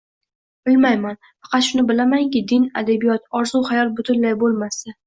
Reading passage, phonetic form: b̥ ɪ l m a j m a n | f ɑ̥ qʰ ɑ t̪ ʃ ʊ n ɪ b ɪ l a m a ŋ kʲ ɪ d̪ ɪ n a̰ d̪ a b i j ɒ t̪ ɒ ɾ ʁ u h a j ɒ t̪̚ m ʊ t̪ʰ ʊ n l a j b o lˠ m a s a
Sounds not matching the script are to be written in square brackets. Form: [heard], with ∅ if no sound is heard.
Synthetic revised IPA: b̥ ɪ l m a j m a n | f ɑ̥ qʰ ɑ t̪ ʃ ʊ n ɪ b ɪ l a m a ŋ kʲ ɪ d̪ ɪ n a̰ d̪ a b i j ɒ t̪ ɒ ɾ [z] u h a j ɒ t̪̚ [b] ʊ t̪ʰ ʊ n l a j b o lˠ m a s a